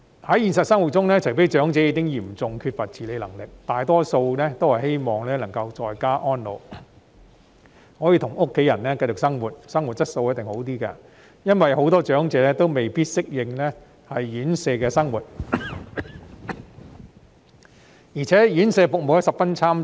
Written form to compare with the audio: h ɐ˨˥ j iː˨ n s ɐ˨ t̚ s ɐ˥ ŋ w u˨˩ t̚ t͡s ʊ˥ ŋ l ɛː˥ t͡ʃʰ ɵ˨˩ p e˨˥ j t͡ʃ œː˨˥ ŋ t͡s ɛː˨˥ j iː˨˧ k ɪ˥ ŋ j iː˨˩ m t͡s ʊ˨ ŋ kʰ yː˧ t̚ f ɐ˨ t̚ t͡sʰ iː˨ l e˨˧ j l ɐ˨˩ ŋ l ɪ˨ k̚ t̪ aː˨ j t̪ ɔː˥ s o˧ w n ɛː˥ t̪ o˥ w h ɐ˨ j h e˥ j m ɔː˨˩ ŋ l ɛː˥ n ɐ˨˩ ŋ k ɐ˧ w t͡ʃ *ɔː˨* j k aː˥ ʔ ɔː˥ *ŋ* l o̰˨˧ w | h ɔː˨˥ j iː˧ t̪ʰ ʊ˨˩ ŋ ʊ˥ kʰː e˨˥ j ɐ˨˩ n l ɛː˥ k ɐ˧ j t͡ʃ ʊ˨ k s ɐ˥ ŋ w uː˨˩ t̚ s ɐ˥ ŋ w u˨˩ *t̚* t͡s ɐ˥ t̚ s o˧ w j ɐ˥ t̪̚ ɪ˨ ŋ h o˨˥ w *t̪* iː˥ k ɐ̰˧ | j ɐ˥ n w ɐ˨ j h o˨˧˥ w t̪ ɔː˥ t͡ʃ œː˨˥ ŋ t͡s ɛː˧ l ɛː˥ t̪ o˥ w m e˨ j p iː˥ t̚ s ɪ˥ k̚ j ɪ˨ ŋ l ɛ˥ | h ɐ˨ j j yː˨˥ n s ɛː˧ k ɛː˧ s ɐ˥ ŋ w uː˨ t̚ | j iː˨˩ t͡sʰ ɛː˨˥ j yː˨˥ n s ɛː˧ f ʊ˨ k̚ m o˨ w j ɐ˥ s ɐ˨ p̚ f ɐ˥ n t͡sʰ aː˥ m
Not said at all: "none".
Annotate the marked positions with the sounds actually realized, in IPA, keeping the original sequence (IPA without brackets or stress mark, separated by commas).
ɔː˨, n, t̚, t̪